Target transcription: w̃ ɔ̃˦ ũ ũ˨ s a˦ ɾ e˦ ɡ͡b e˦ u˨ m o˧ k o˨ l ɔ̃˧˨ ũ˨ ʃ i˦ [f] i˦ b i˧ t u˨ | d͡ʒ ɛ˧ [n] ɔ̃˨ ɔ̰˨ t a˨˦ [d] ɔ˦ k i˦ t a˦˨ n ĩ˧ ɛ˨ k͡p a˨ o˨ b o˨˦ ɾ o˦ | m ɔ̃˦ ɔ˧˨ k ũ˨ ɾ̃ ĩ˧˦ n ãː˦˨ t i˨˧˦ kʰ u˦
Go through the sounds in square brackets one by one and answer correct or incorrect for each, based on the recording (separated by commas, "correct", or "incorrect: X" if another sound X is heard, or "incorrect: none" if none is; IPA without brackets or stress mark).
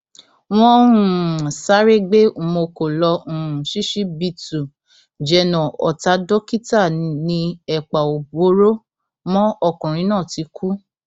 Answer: incorrect: ʃ, correct, correct